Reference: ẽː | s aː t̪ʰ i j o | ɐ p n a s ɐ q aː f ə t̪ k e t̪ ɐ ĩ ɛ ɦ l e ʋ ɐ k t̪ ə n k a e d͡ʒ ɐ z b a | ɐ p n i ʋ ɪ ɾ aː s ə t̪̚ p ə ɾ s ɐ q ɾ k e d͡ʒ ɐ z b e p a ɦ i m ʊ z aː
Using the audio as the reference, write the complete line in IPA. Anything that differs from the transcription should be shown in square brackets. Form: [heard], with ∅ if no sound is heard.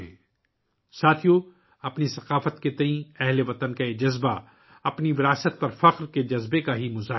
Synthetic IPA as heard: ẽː | s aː t̪ʰ i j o | ɐ p n [i] s ɐ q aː f ə t̪ k e t̪ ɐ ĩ ɛ ɦ l e ʋ ɐ [∅] t̪ ə n k a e d͡ʒ ɐ z b a | ɐ p n i ʋ ɪ ɾ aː s ə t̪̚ p [ɐ] ɾ [f] ɐ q ɾ k e d͡ʒ ɐ z b e [k] a ɦ i m ʊ z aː